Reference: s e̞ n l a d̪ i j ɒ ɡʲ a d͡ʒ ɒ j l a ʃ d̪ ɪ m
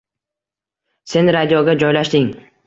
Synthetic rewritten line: s e̞ n ɾ a d̪ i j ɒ ɡʲ a d͡ʒ ɒ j l a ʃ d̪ ɪ ŋ